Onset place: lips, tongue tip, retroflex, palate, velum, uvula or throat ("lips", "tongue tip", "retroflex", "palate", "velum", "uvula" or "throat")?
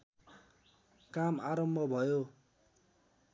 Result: velum